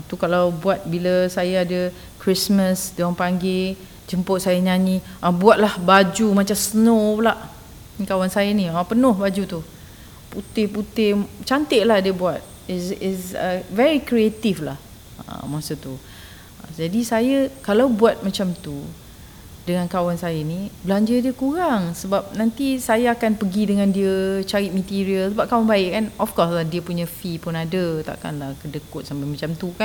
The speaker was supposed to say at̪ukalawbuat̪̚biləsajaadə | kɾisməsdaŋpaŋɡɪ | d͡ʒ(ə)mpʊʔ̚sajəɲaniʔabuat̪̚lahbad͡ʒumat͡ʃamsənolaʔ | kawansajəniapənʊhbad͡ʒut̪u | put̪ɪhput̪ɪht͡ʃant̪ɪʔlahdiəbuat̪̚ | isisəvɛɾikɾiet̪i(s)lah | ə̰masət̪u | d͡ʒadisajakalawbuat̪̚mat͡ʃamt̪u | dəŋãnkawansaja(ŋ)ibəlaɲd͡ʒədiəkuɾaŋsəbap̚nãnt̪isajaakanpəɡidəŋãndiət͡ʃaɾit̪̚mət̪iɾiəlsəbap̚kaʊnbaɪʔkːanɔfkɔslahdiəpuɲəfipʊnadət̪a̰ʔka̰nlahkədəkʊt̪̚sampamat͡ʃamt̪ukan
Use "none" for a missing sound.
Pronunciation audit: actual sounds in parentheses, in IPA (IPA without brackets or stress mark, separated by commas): ə, f, n